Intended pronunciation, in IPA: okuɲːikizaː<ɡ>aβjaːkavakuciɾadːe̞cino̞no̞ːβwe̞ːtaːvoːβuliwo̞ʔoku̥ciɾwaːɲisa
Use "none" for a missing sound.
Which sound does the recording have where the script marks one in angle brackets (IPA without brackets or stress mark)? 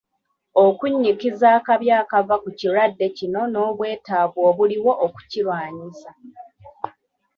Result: k